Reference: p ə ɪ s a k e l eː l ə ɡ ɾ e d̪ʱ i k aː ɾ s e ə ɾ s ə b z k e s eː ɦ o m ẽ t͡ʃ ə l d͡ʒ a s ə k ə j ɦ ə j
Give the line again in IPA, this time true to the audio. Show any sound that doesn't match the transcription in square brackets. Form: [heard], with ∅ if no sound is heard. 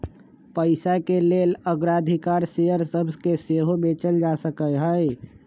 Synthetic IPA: p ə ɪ s a k e l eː l ə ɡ ɾ [a] d̪ʱ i k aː ɾ s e ə ɾ s ə b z k e s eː ɦ o m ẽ t͡ʃ ə l d͡ʒ a s ə k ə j ɦ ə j